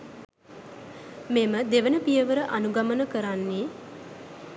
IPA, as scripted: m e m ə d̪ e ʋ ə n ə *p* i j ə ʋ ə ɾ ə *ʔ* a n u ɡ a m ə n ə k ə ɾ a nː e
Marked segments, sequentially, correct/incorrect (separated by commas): correct, correct